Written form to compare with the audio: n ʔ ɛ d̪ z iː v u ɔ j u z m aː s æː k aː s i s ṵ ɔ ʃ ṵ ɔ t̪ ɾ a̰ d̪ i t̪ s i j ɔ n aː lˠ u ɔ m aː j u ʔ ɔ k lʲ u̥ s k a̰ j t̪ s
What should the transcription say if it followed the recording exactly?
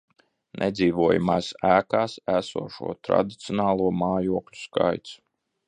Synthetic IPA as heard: n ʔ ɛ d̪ z iː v u ɔ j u m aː s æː k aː s æ s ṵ ɔ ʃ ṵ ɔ t̪ ɾ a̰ d̪ i t̪ s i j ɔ n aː lˠ u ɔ m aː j u ɔ k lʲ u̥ s k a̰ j t̪ s